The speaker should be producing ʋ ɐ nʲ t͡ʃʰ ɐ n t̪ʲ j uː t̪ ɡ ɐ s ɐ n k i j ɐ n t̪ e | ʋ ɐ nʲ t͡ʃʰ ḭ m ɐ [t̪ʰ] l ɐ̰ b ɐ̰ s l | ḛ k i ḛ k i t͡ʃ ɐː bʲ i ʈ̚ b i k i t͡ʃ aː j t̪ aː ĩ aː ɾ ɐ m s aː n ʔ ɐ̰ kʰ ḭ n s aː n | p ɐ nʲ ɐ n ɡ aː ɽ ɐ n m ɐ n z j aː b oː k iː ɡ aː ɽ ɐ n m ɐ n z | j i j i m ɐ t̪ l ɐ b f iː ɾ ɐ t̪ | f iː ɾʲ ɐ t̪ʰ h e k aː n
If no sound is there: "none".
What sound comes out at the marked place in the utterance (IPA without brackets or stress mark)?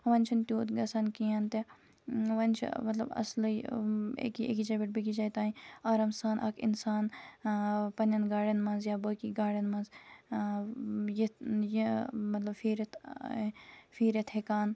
t̪